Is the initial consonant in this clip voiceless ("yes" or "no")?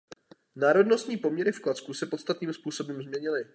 no